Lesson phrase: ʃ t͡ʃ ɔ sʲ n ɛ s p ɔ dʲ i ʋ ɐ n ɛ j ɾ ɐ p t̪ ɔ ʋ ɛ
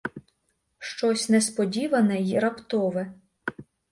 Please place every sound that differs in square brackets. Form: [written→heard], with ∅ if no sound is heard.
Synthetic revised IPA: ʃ t͡ʃ ɔ sʲ n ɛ s p ɔ dʲ i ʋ ɐ n ɛ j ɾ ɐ p t̪ ɔ ʋ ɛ